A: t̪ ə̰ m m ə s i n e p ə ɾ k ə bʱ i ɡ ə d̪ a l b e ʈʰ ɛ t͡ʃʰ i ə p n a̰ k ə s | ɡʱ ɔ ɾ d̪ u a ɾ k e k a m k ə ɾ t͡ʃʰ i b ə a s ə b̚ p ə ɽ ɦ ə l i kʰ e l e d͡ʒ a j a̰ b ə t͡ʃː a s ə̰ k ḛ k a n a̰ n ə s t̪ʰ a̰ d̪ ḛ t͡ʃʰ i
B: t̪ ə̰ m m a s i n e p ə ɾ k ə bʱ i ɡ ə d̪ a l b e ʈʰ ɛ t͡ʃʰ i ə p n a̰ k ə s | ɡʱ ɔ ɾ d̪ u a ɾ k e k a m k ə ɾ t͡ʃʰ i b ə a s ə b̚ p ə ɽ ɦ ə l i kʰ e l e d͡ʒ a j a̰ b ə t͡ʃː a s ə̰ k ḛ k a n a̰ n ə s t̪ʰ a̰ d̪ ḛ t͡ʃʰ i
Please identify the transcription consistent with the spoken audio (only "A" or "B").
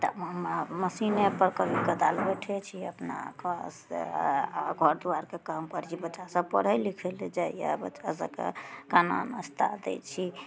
A